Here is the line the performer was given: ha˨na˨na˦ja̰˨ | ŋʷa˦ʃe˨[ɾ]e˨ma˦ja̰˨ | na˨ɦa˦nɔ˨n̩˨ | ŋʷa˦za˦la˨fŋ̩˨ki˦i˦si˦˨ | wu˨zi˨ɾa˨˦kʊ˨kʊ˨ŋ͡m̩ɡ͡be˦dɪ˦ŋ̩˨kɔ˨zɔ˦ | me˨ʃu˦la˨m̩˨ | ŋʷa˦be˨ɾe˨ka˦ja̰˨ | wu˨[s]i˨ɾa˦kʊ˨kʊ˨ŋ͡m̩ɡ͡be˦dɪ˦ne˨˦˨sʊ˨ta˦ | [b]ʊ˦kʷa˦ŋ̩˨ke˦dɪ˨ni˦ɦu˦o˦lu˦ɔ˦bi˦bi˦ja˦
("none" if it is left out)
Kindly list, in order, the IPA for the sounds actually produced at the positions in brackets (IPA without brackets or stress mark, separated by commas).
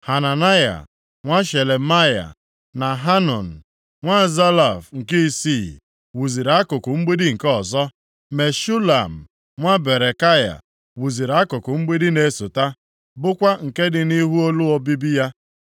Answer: l, z, b